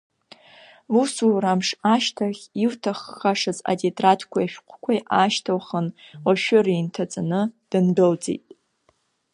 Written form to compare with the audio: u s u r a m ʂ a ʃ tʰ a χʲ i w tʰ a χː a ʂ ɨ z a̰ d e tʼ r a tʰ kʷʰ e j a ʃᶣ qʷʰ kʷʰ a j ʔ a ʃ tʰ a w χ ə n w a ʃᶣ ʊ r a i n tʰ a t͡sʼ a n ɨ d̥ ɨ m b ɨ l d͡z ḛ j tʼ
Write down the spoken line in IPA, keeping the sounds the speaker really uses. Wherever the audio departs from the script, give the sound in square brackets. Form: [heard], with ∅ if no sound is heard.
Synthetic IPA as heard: u s u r a m ʂ a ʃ tʰ a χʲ i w tʰ a χː a ʂ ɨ z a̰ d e tʼ r a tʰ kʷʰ [a] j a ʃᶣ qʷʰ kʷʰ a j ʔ a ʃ tʰ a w χ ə n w a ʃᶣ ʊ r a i n tʰ a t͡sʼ a n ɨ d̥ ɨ [n] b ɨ l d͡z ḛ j tʼ